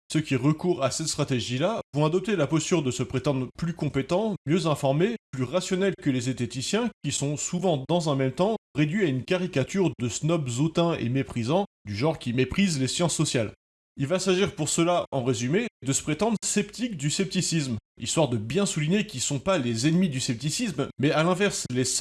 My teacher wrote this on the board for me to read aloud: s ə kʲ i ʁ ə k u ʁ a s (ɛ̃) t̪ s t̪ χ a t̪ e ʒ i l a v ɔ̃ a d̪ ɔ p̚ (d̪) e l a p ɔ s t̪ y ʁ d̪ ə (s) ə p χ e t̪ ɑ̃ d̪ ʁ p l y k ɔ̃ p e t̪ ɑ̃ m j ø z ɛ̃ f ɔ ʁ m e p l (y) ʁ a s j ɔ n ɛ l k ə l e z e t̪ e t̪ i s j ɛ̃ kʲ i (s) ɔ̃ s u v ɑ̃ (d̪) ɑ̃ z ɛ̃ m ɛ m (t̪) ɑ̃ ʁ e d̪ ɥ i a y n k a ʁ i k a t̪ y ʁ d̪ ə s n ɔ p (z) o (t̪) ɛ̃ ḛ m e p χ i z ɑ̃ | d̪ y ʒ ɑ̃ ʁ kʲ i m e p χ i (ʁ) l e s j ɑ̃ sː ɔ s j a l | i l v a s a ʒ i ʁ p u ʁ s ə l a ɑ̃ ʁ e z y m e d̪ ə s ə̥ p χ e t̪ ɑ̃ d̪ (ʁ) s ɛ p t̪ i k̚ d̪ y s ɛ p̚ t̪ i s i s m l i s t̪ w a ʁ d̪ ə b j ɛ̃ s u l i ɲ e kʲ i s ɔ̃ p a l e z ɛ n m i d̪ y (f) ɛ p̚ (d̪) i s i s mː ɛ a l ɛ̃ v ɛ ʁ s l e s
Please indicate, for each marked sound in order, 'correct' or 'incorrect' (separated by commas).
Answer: incorrect, incorrect, correct, correct, correct, correct, correct, correct, correct, incorrect, correct, incorrect, incorrect